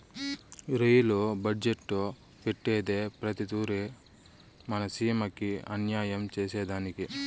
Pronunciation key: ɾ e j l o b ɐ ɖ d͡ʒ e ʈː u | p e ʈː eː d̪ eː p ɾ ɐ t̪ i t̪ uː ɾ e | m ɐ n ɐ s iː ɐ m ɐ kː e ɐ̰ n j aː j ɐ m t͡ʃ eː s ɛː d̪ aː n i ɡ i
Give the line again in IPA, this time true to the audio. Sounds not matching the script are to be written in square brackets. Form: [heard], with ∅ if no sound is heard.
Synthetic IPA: ɾ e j l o b ɐ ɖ d͡ʒ e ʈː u | p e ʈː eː d̪ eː p ɾ ɐ t̪ i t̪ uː ɾ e | m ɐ n ɐ s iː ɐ m ɐ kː [i] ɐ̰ n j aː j ɐ m t͡ʃ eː s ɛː d̪ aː n i [k] i